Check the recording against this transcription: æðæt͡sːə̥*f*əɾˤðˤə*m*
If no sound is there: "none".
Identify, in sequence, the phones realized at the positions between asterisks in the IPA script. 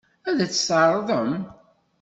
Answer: s, m

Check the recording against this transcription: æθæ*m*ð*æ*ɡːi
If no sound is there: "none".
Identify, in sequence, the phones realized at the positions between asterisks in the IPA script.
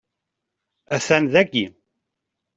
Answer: n, æ

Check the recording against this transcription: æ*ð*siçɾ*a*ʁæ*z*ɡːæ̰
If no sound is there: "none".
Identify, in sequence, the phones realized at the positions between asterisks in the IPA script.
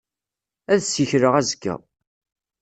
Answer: ð, ə, z

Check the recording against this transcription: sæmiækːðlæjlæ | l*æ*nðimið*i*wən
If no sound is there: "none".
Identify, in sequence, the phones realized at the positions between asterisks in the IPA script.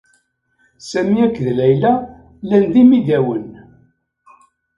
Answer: æ, æ

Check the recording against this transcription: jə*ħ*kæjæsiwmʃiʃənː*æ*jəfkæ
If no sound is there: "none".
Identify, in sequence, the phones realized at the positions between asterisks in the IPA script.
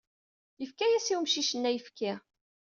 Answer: f, æ

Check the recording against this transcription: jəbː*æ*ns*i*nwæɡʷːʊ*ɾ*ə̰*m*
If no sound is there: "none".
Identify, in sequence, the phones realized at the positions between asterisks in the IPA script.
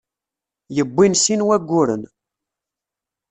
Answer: i, i, ɾ, n

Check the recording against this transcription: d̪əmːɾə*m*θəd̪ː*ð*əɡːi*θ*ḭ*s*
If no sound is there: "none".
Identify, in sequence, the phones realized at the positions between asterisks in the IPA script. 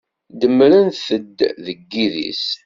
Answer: n, ð, ð, s

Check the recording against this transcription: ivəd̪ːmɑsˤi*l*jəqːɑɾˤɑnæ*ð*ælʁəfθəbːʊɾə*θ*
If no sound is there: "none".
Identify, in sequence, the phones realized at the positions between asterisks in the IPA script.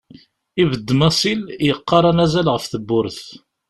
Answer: l, z, θ

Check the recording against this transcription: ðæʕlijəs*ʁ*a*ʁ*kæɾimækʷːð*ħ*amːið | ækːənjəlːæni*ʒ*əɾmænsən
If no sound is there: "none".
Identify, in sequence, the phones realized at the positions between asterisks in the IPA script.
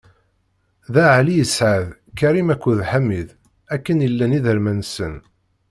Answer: ʕ, ð, ħ, ð

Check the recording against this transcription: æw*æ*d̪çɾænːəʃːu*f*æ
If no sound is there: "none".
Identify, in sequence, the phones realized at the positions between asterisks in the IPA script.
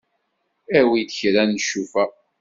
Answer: i, f

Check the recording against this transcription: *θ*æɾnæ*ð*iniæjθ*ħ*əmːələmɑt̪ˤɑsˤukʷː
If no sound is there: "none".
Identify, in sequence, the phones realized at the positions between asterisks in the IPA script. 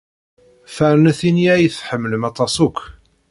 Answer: f, θ, ħ

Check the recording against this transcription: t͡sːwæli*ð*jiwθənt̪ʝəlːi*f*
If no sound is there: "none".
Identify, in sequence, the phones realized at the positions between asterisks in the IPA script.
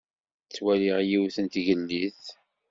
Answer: ʁ, θ

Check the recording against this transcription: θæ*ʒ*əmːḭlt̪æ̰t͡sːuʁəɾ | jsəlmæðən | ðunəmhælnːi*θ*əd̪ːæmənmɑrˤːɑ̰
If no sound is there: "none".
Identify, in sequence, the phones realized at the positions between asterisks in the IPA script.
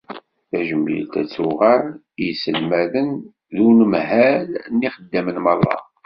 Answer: ʒ, χ

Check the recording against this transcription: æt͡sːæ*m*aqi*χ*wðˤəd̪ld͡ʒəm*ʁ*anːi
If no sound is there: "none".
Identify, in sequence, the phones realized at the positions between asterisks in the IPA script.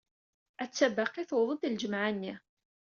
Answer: b, θ, ʕ

